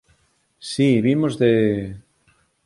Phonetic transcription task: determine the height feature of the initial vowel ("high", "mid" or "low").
high